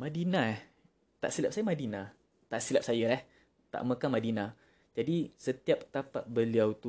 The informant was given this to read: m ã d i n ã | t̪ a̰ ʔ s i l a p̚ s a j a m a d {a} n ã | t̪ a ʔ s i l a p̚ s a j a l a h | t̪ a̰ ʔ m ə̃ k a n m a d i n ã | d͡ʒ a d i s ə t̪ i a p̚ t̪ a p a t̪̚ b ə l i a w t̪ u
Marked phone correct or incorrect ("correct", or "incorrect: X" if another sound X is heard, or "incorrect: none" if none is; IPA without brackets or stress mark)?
incorrect: i